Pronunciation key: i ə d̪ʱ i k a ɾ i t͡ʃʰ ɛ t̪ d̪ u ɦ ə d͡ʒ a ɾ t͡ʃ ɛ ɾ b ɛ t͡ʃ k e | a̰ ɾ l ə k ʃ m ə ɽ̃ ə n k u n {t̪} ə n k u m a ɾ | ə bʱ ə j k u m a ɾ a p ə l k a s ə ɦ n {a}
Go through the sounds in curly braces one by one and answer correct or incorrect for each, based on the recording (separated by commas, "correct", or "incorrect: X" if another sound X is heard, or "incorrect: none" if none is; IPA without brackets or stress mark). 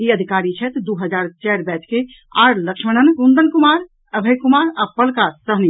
incorrect: d̪, incorrect: i